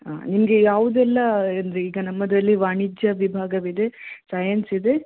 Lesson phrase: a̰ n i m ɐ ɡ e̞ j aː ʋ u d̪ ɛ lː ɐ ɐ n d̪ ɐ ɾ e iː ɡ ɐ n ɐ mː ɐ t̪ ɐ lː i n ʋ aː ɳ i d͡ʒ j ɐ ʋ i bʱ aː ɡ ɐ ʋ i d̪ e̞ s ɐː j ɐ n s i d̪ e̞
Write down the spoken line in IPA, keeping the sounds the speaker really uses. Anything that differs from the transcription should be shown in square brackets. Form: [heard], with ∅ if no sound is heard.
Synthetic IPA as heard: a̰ n i m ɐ ɡ e̞ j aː ʋ u d̪ ɛ lː ɐ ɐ n d̪ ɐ ɾ e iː ɡ ɐ n ɐ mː ɐ [d̪] ɐ lː i [∅] ʋ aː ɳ i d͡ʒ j ɐ ʋ i bʱ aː ɡ ɐ ʋ i d̪ e̞ s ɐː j ɐ n s i d̪ e̞